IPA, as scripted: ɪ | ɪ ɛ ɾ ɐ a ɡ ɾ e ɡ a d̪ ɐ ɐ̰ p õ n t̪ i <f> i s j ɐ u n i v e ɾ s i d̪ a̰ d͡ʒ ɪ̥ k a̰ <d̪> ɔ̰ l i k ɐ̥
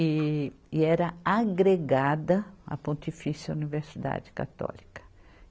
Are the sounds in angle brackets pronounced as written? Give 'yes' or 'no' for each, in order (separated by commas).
yes, no